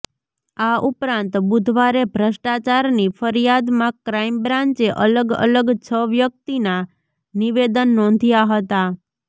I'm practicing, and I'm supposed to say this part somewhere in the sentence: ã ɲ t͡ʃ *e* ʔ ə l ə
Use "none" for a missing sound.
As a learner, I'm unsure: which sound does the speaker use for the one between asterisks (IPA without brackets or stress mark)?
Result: e